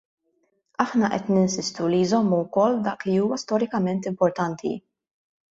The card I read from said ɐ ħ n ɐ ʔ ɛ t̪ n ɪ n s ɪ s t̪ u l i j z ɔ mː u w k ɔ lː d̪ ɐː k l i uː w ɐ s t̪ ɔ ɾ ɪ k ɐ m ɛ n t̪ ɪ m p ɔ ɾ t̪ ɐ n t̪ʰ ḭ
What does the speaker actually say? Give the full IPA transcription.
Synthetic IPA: ɐ ħ n ɐ ʔ ɛ t̪ n ɪ n s ɪ s t̪ u l i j z ɔ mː u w k ɔ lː d̪ ɐː k l i uː w ɐ s t̪ ɔ ɾ ɪ k ɐ m ɛ n t̪ ɪ m p ɔ ɾ t̪ ɐ n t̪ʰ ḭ